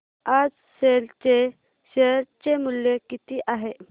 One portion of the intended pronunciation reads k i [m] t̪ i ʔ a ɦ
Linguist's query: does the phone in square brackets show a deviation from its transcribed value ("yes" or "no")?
yes